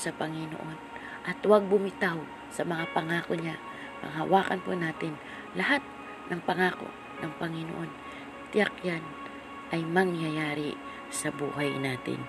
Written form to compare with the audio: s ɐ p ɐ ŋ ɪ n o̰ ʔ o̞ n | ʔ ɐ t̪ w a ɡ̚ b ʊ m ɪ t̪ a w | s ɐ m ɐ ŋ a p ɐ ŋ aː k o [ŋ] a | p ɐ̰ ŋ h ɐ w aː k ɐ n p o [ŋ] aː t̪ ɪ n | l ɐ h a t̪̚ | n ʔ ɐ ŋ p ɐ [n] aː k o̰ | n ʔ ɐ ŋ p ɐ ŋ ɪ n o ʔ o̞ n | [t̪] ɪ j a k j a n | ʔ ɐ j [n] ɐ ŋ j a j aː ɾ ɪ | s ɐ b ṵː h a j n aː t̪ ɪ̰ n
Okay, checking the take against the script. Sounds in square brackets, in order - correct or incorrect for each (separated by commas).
incorrect, incorrect, incorrect, correct, incorrect